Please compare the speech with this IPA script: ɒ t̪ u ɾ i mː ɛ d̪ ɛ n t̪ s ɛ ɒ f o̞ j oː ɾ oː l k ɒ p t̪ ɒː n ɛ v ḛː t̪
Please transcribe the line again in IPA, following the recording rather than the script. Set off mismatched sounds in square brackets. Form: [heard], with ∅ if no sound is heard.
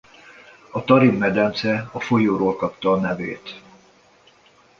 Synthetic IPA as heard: ɒ t̪ [ɒ] ɾ i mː ɛ d̪ ɛ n t̪ s ɛ ɒ f o̞ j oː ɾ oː l k ɒ p t̪ ɒː n ɛ v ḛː t̪